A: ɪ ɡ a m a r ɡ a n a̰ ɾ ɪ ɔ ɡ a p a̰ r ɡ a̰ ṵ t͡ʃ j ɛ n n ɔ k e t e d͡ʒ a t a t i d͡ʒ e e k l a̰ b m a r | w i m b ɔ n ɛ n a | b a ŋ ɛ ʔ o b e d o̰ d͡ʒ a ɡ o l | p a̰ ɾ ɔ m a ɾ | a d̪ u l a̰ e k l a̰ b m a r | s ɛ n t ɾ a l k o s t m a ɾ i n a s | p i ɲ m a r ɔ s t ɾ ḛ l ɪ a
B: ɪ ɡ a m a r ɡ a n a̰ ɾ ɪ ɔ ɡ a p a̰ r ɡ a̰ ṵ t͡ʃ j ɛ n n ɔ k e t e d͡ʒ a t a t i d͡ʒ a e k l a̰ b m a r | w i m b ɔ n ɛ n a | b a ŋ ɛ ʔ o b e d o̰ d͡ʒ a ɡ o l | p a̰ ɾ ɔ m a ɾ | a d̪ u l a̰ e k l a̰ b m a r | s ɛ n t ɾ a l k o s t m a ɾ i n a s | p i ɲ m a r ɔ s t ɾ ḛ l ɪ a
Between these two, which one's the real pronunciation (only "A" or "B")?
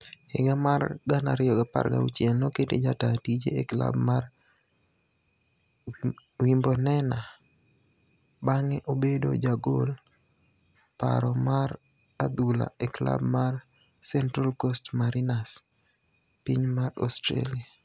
A